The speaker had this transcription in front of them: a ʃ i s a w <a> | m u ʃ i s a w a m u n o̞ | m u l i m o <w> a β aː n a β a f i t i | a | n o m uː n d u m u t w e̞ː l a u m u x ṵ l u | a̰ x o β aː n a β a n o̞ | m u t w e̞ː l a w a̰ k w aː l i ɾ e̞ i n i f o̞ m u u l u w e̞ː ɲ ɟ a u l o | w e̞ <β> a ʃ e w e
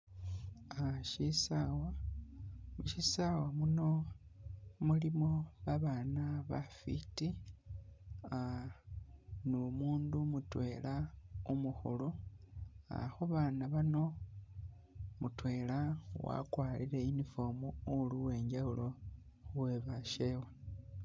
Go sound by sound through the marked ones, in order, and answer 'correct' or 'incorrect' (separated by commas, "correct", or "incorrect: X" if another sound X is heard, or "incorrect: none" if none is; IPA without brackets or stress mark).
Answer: correct, incorrect: β, correct